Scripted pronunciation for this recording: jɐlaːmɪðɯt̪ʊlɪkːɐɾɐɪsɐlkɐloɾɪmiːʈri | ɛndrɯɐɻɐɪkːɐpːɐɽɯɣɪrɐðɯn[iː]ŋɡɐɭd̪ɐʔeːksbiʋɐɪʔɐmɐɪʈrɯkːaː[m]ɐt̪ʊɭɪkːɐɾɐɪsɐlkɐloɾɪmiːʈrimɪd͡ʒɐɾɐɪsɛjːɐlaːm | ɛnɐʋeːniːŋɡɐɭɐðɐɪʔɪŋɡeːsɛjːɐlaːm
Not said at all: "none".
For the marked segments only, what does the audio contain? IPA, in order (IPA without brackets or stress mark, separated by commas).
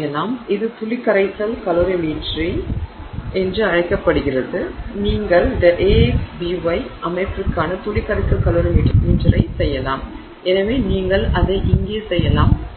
iː, n